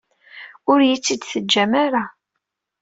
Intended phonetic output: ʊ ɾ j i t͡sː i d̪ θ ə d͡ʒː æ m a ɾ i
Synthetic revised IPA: ʊ ɾ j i t͡sː i d̪ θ ə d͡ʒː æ m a ɾ a